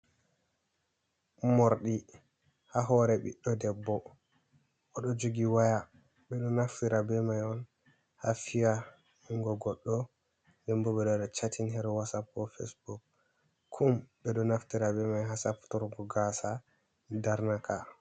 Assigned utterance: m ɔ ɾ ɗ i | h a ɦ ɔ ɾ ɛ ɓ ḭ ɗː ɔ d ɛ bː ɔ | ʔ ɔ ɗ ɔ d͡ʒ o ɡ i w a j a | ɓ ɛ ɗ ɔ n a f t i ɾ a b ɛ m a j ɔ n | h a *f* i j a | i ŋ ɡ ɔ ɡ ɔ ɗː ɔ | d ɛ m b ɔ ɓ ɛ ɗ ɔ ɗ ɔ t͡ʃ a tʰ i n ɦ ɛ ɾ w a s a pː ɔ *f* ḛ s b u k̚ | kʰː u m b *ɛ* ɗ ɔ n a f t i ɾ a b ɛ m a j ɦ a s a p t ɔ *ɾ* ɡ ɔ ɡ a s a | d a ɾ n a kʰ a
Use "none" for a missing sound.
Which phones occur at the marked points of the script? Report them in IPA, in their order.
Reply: f, f, ɛ, ɾ

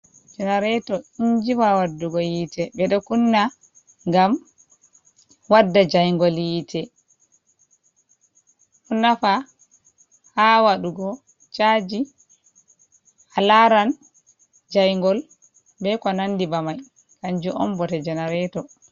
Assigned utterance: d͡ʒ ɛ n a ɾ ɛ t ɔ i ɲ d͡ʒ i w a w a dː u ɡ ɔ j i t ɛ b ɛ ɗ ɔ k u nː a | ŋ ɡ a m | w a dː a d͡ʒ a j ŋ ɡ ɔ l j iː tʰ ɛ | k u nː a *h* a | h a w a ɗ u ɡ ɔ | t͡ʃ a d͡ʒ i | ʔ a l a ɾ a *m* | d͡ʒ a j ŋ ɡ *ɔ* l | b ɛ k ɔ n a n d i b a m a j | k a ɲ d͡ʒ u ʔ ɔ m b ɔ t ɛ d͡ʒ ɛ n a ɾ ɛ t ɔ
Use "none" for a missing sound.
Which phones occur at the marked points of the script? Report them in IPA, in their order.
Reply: f, n, ɔ

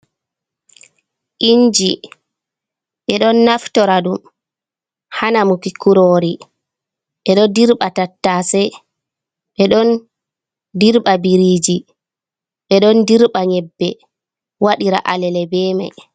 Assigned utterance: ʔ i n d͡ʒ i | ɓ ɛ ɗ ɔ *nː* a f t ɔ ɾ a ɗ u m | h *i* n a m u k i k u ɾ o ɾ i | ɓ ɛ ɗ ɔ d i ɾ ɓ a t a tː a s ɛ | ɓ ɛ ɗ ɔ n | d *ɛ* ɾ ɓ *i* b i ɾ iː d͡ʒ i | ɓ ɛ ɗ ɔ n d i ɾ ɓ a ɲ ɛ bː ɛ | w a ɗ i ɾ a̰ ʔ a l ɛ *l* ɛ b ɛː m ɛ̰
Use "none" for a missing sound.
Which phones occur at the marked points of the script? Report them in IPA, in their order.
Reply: nː, a, i, a, l

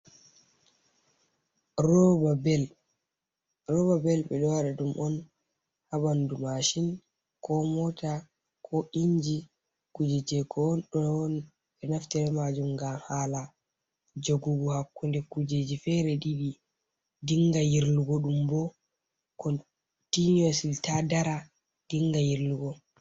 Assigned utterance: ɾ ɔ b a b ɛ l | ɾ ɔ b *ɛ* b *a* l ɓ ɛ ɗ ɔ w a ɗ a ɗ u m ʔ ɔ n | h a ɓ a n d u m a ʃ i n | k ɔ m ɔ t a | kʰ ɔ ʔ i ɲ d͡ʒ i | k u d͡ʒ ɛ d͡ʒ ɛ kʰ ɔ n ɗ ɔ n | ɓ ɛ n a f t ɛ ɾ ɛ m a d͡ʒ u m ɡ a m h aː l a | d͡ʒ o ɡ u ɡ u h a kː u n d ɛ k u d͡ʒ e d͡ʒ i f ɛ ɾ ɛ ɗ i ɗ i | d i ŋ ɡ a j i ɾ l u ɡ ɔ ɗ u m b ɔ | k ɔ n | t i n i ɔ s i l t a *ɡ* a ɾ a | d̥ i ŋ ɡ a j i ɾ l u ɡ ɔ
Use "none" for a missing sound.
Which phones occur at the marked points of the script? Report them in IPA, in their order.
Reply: a, ɛ, d

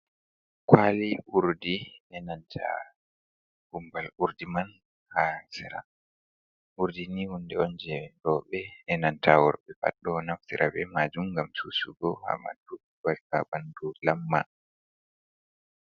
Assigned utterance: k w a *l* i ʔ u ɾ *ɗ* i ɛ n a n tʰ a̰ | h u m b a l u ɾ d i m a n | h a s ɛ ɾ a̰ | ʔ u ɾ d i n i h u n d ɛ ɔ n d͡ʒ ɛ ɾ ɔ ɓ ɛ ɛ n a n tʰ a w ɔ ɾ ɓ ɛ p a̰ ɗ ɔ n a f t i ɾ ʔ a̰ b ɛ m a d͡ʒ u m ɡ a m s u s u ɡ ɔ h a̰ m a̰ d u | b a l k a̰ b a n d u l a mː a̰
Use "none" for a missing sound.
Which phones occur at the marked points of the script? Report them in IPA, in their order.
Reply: l, d

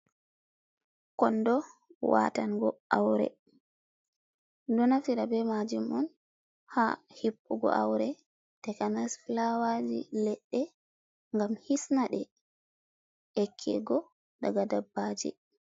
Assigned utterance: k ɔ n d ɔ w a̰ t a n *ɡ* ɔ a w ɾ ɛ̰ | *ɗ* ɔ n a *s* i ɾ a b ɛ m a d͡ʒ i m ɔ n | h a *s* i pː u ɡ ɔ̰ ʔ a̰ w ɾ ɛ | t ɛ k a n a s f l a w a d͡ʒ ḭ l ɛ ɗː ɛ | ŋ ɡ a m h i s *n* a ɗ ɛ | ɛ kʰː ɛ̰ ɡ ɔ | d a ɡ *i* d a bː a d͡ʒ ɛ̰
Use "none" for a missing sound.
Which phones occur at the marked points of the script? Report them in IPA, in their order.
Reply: ɡ, d, f, h, n, a

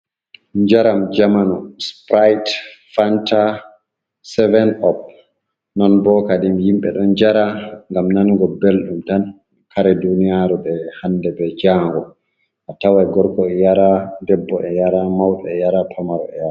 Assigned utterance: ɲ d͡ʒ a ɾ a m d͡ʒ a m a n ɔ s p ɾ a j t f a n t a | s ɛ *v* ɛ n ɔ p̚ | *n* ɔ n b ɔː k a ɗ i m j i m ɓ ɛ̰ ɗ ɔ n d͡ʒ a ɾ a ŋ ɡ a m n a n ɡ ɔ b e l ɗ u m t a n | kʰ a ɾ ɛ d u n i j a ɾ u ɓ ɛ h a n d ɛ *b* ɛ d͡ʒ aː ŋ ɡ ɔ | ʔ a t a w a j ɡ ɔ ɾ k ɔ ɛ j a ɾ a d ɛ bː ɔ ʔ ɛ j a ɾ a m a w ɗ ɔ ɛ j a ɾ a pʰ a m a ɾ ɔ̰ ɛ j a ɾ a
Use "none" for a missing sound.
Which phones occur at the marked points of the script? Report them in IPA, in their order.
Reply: v, n, b

